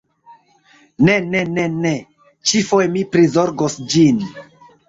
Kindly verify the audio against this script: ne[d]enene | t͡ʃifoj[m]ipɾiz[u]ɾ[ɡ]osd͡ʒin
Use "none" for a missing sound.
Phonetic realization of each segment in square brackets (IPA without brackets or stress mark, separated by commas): n, m, o, ɡ